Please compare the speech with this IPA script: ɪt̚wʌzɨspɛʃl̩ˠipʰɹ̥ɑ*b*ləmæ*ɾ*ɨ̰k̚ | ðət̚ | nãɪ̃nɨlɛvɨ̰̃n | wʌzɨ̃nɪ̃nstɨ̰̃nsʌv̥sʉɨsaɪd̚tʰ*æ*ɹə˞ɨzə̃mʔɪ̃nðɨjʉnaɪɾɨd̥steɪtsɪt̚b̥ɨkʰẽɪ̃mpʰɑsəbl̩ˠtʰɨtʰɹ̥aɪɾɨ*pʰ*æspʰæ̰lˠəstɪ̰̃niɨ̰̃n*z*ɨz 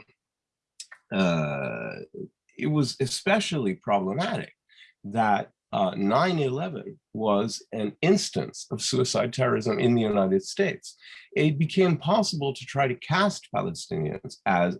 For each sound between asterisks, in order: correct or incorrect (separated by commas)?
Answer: correct, correct, incorrect, incorrect, correct